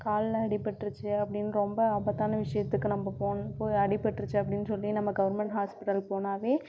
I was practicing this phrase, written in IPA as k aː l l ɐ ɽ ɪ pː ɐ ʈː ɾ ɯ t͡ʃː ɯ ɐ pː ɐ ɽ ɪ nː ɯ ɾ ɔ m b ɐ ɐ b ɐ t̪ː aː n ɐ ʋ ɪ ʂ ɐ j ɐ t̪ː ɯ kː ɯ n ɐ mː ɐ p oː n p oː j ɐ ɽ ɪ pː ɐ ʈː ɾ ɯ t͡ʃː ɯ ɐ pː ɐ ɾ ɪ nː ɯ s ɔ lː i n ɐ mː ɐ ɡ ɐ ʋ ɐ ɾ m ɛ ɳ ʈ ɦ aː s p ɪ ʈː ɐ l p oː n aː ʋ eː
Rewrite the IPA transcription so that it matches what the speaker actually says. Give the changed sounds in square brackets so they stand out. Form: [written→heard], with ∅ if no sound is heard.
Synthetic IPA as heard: k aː l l ɐ ɽ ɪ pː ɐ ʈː ɾ ɯ t͡ʃː ɯ ɐ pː ɐ ɽ ɪ nː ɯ ɾ ɔ m b ɐ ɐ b ɐ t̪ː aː n ɐ ʋ ɪ ʂ ɐ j ɐ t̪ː ɯ kː ɯ n ɐ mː ɐ p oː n p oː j ɐ ɽ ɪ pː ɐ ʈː ɾ ɯ t͡ʃː ɯ ɐ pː ɐ [ɾ→ɽ] ɪ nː ɯ s ɔ lː i n ɐ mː ɐ ɡ ɐ ʋ ɐ ɾ m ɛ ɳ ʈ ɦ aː s p ɪ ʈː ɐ l p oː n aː ʋ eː